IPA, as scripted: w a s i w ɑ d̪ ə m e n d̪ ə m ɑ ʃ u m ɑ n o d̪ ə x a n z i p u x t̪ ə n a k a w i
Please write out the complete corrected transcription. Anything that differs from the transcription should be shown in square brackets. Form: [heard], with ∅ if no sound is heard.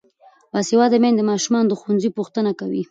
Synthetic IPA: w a s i w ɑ d̪ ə m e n d̪ ə m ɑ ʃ u m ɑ n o d̪ ə x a n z i p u x t̪ ə n a k a w i